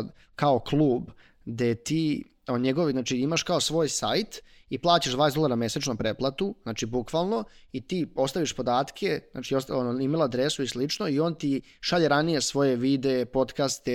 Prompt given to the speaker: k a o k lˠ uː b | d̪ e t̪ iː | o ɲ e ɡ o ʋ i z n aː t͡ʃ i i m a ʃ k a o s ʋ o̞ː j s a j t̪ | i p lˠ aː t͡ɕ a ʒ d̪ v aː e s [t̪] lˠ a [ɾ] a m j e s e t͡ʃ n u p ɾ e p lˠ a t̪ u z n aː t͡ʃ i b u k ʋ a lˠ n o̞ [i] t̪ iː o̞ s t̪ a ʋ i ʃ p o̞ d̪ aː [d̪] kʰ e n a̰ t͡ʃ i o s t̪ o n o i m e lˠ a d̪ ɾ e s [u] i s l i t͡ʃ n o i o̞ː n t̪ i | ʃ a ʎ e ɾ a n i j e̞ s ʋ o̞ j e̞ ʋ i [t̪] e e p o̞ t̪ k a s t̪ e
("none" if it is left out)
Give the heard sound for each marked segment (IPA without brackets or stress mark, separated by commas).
d̪, ɾ, i, t̪, u, d̪